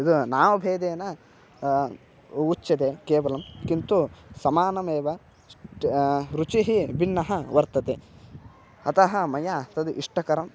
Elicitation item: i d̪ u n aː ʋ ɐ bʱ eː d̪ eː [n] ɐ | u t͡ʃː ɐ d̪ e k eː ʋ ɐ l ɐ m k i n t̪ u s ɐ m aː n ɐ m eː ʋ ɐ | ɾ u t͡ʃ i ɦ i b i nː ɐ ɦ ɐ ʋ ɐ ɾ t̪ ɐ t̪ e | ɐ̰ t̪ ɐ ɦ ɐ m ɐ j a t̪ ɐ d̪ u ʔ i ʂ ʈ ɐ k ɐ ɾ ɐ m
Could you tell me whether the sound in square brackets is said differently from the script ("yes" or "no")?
no